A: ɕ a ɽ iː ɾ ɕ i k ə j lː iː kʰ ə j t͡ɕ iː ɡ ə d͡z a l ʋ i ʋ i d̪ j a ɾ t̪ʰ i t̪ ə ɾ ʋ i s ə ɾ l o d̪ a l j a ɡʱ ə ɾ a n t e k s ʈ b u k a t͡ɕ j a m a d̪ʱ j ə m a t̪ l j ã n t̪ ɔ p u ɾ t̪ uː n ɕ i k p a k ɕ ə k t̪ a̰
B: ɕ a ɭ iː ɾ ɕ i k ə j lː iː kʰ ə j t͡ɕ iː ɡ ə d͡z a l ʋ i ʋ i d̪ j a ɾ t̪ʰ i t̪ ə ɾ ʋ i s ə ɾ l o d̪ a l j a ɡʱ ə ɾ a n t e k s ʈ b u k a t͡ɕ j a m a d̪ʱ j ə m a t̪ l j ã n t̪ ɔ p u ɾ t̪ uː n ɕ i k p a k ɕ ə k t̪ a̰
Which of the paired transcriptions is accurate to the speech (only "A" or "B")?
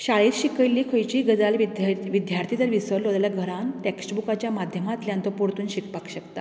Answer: B